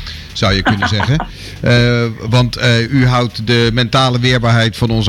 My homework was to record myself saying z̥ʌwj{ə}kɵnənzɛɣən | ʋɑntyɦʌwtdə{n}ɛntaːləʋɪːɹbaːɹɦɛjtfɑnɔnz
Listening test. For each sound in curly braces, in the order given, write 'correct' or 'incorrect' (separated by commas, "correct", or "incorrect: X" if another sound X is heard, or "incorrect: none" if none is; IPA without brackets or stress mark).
correct, incorrect: m